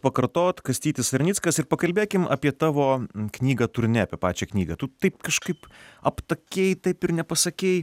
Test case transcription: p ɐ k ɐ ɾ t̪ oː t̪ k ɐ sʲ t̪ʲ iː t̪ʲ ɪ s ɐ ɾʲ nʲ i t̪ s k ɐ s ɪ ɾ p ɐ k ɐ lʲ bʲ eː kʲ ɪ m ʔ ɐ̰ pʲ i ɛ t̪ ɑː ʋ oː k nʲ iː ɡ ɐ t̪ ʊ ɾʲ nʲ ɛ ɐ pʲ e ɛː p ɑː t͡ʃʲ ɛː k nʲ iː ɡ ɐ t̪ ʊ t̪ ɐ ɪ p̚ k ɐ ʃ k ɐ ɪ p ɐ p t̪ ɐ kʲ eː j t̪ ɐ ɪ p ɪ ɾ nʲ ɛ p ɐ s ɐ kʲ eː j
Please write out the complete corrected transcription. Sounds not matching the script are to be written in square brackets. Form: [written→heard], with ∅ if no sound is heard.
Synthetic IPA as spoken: p ɐ k ɐ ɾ t̪ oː t̪ k ɐ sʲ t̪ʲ iː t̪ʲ ɪ s ɐ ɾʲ nʲ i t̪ s k ɐ s ɪ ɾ p ɐ k ɐ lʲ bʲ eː kʲ ɪ m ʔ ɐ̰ pʲ i ɛ t̪ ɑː ʋ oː k nʲ iː ɡ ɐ t̪ ʊ ɾʲ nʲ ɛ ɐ pʲ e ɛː p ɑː t͡ʃʲ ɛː k nʲ iː ɡ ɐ t̪ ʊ t̪ ɐ ɪ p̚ k ɐ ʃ k ɐ ɪ p ɐ p t̪ ɐ kʲ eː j t̪ ɐ ɪ p ɪ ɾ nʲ ɛ p ɐ s ɐ kʲ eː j